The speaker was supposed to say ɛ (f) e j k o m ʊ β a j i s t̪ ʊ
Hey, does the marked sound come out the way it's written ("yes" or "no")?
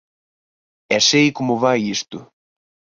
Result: no